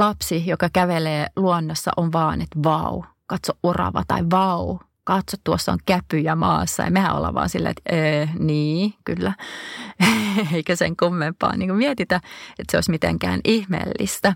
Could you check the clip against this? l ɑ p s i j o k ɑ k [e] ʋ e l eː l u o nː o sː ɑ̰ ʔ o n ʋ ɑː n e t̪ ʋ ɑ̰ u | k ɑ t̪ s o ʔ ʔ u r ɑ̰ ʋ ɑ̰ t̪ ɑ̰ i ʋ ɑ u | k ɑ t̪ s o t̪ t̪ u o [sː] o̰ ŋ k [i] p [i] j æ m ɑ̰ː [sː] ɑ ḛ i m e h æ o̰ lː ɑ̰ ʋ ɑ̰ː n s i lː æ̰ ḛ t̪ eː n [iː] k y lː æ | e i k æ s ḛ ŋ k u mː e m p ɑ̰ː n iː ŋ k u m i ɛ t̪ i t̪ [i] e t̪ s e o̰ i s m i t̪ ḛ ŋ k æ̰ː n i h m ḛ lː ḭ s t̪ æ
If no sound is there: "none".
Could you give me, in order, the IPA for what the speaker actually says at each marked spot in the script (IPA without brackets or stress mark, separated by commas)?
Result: æ, sː, æ, y, sː, iː, æ